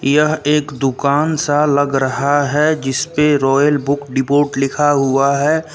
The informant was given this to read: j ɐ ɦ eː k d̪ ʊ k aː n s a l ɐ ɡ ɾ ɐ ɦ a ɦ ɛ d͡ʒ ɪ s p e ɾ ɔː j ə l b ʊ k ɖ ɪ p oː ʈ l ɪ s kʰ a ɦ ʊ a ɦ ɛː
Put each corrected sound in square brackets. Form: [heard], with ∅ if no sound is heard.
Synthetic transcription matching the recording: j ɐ ɦ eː k d̪ ʊ k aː n s a l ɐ ɡ ɾ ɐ ɦ a ɦ ɛ d͡ʒ ɪ s p e ɾ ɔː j ə l b ʊ k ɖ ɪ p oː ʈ l ɪ [∅] kʰ a ɦ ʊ a ɦ ɛː